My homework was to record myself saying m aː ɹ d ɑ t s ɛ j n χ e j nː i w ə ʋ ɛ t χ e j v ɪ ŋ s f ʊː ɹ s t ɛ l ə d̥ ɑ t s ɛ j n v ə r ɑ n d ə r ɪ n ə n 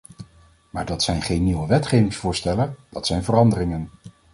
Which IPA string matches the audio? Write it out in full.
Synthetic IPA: m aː ɹ d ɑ t s ɛ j n χ e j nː i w ə ʋ ɛ t χ e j v ɪ ŋ s f ʊː ɹ s t ɛ l ə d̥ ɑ t s ɛ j n v ə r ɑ n d ə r ɪ ŋ ə n